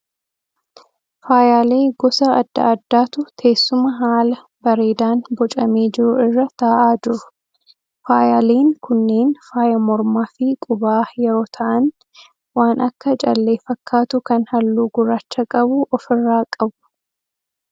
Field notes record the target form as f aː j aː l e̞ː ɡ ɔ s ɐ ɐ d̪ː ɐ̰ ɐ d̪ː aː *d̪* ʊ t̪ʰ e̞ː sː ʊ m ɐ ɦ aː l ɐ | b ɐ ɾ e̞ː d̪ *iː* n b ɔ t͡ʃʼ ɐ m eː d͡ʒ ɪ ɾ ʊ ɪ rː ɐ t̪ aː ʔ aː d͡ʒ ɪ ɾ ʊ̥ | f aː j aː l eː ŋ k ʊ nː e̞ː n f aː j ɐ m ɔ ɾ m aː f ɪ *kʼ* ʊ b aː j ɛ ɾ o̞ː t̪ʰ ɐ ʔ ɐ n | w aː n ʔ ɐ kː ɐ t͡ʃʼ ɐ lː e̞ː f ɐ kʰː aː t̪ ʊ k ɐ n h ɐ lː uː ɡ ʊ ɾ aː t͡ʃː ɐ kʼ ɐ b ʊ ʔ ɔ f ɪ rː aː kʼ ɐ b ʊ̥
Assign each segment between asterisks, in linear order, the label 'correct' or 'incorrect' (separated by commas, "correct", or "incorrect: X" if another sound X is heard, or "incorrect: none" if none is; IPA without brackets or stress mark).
incorrect: t̪, incorrect: aː, correct